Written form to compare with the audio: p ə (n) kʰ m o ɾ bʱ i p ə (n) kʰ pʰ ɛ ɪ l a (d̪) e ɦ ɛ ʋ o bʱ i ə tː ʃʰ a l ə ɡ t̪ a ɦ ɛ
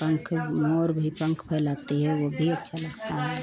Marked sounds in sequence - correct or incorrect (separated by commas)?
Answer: incorrect, incorrect, incorrect